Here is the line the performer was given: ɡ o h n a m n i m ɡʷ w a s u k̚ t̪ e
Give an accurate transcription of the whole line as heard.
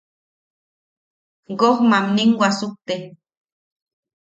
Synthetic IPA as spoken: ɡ o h m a m n i ŋ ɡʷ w a s u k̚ t̪ e